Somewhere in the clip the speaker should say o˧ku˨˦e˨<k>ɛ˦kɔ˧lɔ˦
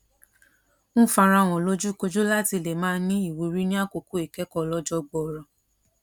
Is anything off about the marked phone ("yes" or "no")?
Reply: no